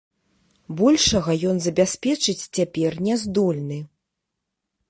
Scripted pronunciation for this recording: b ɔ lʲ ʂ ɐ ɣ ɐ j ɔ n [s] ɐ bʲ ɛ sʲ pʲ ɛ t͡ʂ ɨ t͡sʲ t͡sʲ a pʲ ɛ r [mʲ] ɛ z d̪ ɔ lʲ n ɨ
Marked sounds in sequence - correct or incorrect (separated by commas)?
incorrect, incorrect